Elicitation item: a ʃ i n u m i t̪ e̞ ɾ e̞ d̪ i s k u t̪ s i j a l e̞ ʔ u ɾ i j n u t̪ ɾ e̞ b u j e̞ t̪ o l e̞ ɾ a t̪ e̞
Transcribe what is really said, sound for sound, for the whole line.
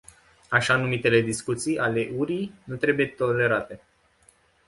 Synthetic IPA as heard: a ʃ a n u m i t̪ e̞ l e̞ d̪ i s k u t̪ s i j a l e̞ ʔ u ɾ i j n u t̪ ɾ e̞ b u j e̞ t̪ o l e̞ ɾ a t̪ e̞